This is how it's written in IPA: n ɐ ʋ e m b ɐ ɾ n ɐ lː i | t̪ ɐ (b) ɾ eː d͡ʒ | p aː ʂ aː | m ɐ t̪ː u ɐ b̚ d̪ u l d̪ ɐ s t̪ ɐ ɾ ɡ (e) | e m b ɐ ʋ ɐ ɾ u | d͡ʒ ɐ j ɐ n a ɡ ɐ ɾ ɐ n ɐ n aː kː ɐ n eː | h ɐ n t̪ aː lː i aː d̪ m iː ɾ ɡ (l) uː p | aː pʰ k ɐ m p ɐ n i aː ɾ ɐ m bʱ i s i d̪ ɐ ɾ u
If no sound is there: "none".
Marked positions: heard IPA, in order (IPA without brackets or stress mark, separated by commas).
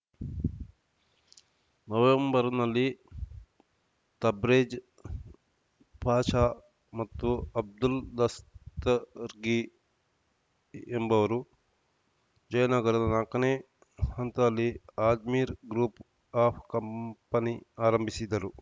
b, i, ɾ